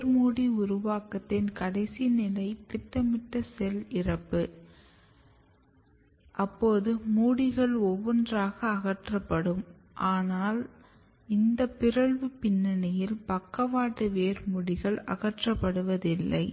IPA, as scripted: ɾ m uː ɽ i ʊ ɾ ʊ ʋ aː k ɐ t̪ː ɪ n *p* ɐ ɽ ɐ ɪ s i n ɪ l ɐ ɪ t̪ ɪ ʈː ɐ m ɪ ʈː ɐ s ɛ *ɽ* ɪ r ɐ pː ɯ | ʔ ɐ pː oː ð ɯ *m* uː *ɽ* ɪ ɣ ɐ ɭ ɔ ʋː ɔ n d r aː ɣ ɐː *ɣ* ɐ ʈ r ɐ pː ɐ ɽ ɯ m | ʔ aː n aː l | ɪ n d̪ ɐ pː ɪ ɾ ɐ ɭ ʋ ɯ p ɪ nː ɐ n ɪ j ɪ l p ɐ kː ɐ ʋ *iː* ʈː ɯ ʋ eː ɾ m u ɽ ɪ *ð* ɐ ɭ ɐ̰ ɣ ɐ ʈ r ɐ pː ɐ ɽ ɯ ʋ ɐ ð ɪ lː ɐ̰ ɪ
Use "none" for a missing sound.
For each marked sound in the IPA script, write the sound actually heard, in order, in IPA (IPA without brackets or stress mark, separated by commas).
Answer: k, l, m, ɽ, ɣ, aː, ɣ